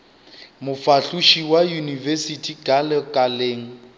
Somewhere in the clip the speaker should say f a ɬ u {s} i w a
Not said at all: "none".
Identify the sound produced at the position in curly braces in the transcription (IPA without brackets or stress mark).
ʃ